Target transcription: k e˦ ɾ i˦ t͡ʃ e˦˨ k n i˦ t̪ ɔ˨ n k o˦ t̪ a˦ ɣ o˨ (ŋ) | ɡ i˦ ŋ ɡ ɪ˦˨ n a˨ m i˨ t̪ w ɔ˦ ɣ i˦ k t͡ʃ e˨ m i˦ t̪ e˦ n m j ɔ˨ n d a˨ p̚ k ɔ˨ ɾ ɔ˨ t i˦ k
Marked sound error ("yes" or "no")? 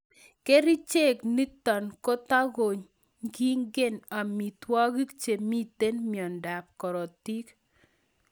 yes